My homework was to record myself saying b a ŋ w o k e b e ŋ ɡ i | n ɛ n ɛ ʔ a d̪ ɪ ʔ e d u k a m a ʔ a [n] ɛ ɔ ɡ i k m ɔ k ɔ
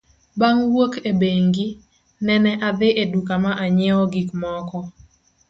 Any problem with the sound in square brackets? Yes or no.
yes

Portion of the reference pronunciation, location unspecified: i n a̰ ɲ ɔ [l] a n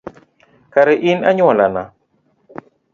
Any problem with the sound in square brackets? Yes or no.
no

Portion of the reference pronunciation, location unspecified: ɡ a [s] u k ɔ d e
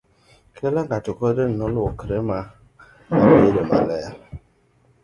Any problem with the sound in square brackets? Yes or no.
yes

